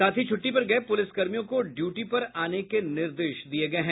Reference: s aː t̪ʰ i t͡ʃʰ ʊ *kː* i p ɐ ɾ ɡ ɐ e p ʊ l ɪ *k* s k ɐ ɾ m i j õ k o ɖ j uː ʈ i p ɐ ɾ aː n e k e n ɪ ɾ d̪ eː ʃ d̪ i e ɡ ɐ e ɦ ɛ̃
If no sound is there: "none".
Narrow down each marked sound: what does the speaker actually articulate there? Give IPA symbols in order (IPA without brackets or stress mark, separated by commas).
ʈː, none